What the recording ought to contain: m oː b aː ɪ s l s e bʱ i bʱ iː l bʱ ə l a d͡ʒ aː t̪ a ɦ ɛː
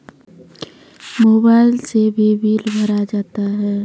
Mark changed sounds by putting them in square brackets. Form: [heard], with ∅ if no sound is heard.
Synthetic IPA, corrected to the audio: m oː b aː ɪ [∅] l s e bʱ i bʱ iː l bʱ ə [ɾ] a d͡ʒ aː t̪ a ɦ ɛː